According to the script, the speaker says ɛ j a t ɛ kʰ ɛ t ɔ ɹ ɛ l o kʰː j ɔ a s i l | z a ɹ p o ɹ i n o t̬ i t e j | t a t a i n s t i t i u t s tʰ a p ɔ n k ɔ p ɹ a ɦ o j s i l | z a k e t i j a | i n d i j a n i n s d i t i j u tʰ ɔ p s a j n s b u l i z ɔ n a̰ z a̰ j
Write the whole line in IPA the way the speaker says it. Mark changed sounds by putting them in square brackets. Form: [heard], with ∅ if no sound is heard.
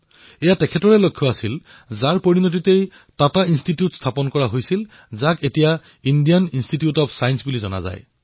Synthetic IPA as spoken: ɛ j a t ɛ kʰ ɛ t ɔ ɹ ɛ l o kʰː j ɔ a s i l | z a ɹ p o ɹ i n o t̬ i t e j | t a t a i n s t i t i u t s tʰ a p ɔ n k ɔ [∅] ɹ a ɦ o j s i l | z a k e t i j a | i n d i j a n i n s [t] i t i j u [t] ɔ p s a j n s b u l i z ɔ n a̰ z a̰ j